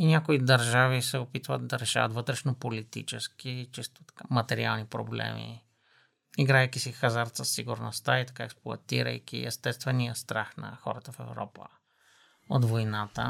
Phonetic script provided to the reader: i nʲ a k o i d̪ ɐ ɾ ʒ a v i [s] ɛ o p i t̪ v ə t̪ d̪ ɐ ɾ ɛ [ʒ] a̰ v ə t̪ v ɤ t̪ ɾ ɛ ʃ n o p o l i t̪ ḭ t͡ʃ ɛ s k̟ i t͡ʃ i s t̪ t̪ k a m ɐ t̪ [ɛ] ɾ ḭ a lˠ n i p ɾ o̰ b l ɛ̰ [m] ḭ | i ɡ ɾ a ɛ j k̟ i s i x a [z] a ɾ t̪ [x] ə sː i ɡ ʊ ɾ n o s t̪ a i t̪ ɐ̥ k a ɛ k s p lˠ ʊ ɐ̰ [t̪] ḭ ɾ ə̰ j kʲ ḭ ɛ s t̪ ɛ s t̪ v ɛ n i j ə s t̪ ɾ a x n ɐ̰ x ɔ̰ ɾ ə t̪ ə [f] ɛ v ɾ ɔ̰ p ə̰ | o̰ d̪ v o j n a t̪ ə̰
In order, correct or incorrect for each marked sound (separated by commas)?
correct, incorrect, correct, correct, correct, incorrect, correct, correct